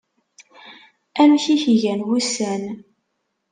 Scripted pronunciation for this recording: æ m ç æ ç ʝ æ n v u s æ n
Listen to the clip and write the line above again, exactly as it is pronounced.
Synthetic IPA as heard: æ m ç i ç ʝ æ n w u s æ n